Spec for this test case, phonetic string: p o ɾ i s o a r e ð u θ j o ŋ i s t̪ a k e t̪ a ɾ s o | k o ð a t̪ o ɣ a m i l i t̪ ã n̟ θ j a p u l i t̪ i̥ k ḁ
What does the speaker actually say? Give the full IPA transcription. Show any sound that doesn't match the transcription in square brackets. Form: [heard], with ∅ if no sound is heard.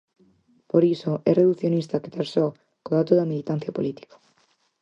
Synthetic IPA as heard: p o ɾ i s o [ɛ] r e ð u θ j o [n] i s t̪ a k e t̪ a ɾ s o | k o ð a t̪ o [ð] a m i l i t̪ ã n̟ θ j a p [o] l i t̪ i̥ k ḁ